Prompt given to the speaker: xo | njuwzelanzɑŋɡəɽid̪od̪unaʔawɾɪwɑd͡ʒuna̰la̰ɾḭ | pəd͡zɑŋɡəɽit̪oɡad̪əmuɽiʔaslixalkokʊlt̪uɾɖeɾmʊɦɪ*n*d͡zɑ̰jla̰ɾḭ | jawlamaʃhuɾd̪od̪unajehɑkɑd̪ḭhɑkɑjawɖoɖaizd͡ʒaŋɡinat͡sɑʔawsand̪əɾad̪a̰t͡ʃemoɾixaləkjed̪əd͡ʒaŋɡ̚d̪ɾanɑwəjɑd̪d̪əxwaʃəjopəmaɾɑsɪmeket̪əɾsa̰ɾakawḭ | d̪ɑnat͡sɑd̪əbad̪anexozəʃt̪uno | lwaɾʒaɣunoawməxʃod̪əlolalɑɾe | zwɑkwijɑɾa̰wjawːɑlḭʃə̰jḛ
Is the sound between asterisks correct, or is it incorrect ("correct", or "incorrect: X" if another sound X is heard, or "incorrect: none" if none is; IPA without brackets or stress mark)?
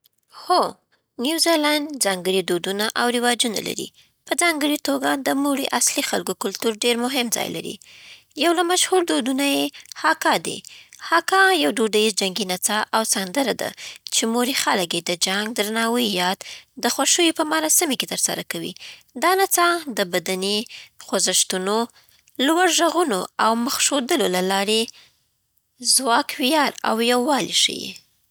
incorrect: m